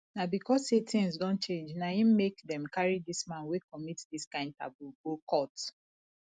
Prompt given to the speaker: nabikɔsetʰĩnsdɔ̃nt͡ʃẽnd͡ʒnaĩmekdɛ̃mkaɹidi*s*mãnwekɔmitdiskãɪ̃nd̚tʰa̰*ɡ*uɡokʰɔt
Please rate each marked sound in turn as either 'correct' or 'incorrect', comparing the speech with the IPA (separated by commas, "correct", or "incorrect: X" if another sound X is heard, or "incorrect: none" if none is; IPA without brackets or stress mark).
correct, incorrect: b